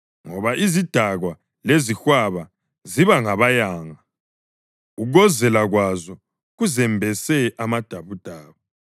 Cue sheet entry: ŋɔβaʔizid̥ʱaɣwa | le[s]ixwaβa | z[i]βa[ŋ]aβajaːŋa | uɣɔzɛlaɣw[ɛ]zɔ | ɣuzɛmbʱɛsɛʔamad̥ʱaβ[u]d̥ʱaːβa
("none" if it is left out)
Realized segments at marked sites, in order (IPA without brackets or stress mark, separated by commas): z, i, ŋ, a, u